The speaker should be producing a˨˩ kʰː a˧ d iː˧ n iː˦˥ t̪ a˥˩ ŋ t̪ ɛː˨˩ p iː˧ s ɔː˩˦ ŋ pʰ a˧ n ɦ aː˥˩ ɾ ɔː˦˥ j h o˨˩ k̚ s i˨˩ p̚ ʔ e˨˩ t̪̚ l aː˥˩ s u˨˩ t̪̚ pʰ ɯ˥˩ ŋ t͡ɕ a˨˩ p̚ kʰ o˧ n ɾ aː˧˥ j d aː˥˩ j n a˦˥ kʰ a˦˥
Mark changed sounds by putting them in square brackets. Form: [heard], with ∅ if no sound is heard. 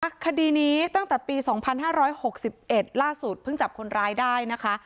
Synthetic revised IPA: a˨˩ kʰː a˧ d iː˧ n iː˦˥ t̪ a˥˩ ŋ t̪ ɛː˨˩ p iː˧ s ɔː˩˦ ŋ pʰ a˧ n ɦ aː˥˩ ɾ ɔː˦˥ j h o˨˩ k̚ s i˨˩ p̚ ʔ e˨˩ t̪̚ l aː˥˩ s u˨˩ t̪̚ pʰ ɯ˥˩ ŋ t͡ɕ a˨˩ p̚ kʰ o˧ n ɾ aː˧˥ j d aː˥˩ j n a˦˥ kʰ a˦˥